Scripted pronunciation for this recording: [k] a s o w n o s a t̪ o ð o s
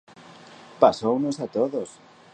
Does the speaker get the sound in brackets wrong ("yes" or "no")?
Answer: yes